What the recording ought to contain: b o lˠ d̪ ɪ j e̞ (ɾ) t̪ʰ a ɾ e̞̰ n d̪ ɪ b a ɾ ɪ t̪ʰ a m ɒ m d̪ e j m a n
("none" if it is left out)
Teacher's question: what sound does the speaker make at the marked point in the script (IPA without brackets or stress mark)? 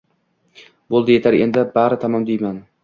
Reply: none